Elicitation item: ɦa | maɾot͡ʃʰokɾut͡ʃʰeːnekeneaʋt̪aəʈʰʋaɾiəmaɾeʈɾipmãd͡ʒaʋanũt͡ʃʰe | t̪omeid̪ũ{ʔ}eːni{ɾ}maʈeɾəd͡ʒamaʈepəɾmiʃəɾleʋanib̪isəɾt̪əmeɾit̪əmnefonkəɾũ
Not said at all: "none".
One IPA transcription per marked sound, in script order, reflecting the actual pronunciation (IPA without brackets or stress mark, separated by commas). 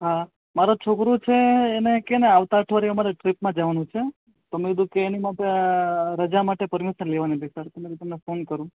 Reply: k, none